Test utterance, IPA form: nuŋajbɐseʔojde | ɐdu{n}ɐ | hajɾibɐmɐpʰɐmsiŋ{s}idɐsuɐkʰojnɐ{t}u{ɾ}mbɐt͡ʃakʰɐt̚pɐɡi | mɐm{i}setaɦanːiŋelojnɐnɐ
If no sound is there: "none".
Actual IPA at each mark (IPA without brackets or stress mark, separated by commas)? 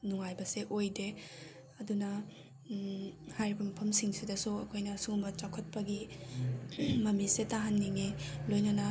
n, s, s, none, i